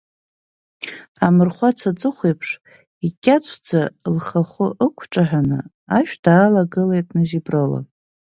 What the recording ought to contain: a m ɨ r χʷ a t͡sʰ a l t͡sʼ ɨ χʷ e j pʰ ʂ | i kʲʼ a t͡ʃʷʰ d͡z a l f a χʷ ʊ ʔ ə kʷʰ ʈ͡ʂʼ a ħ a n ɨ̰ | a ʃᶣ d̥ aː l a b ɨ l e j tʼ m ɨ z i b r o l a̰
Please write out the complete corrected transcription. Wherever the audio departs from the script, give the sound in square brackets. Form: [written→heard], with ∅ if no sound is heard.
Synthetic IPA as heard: a m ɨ r χʷ a t͡sʰ a [l→∅] t͡sʼ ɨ χʷ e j pʰ ʂ | i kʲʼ a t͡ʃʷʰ d͡z a l [f→χ] a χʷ ʊ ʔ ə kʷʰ ʈ͡ʂʼ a ħ a n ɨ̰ | a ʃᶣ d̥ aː l a [b→ɡ] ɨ l e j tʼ [m→n] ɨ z i b r o l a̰